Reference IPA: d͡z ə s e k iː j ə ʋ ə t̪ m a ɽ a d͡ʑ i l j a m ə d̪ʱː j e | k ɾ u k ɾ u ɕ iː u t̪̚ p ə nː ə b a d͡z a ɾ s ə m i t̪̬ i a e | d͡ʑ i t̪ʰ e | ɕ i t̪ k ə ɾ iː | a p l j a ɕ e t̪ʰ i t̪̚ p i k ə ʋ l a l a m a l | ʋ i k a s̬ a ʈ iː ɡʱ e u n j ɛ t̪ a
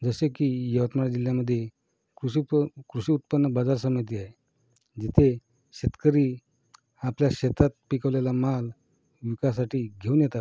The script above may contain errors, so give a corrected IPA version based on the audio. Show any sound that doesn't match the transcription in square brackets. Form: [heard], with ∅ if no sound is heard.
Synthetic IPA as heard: d͡z ə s e k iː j ə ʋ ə t̪ m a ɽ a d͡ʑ i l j a m ə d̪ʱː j e | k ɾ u k ɾ u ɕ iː u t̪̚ p ə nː ə b a d͡z a ɾ s ə m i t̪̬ i a e | d͡ʑ i t̪ʰ e | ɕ [e] t̪ k ə ɾ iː | a p l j a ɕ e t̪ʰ [a] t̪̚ p i k ə ʋ l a l a m a l | ʋ i k a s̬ a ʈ iː ɡʱ e u n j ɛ t̪ a